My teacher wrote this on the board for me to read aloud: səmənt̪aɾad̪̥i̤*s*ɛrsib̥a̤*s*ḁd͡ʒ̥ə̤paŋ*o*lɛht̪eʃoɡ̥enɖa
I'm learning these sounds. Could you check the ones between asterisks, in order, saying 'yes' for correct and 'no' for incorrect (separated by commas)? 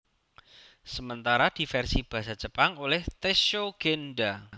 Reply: no, yes, yes